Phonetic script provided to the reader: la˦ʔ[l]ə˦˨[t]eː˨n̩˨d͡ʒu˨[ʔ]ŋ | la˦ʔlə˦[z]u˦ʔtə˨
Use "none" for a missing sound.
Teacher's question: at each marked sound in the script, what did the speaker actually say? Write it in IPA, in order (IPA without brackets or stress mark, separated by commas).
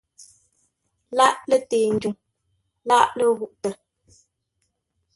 l, t, none, ɣ